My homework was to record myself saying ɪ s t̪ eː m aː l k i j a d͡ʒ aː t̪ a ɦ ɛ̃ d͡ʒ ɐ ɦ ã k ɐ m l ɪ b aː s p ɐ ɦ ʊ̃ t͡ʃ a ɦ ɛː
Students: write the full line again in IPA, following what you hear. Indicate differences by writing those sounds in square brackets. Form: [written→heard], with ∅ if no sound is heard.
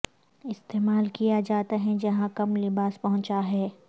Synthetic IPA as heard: ɪ s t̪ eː m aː l k i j a d͡ʒ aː t̪ a ɦ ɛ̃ d͡ʒ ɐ ɦ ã k ɐ m l ɪ b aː s p ɐ ɦ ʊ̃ t͡ʃ a ɦ ɛː